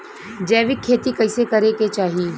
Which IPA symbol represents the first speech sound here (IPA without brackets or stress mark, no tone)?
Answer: d͡ʒ